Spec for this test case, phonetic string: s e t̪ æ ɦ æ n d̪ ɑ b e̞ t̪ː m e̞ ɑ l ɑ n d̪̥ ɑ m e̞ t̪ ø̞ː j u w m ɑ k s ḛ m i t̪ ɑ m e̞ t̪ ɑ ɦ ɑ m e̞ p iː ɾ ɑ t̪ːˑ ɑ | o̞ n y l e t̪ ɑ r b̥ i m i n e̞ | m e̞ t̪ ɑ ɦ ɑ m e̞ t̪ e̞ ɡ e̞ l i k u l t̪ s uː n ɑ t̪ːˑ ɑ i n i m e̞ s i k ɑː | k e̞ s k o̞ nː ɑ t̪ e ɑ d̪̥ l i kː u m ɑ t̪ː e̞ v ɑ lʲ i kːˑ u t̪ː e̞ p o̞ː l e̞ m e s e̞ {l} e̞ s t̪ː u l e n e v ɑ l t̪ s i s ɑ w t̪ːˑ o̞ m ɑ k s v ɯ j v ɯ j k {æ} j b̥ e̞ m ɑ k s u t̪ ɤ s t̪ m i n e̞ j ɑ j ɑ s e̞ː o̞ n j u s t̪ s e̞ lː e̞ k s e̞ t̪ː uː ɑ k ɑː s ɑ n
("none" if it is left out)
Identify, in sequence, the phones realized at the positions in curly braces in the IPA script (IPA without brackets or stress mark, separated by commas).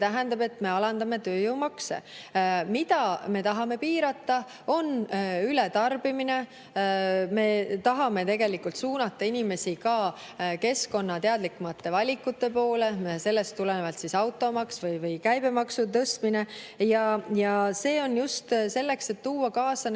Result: lː, æ